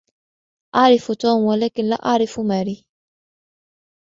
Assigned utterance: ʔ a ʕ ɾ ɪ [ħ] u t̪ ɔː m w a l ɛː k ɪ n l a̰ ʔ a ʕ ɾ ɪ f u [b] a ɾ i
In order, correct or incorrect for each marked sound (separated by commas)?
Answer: incorrect, incorrect